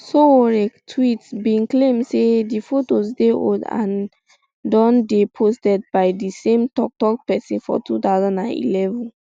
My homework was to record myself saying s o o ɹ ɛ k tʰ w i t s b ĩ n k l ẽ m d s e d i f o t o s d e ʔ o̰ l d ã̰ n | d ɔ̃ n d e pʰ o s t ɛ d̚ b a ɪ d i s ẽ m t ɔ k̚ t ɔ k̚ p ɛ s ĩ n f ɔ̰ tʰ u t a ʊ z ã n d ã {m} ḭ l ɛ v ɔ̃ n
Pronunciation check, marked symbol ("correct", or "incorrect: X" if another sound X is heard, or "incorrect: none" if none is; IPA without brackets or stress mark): incorrect: n